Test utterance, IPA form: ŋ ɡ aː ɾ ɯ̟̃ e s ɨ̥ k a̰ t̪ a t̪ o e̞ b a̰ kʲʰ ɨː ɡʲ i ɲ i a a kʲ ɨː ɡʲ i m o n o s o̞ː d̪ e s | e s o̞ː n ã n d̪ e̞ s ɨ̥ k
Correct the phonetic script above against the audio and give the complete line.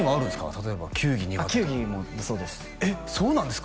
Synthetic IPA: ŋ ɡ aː ɾ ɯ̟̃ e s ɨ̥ k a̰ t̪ a t̪ o e̞ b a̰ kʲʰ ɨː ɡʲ i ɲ i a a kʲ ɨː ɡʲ i m o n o s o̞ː d̪ e s | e s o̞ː n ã n d̪ e̞ s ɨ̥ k